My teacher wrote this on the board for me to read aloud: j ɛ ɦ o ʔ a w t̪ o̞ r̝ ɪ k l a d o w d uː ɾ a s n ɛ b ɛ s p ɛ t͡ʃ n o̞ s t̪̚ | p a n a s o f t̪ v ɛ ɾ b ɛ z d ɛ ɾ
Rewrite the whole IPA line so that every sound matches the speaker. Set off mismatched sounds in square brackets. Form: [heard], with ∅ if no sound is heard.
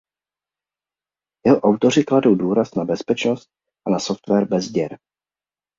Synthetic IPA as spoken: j ɛ ɦ o ʔ a w t̪ o̞ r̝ ɪ k l a d o w d uː ɾ a s n [a] b ɛ s p ɛ t͡ʃ n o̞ s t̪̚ | [ʔ] a n a s o f t̪ v ɛ ɾ b ɛ z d ɛ ɾ